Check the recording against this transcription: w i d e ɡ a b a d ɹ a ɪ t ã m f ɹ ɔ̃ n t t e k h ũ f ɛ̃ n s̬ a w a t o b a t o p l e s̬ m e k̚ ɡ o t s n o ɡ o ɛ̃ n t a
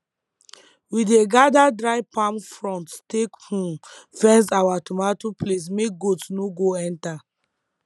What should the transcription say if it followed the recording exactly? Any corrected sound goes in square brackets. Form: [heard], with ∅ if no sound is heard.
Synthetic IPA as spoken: w i d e ɡ a [d] a d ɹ a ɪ [p] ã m f ɹ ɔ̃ n t t e k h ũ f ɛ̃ n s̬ a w a t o [m] a t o p l e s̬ m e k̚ ɡ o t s n o ɡ o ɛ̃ n t a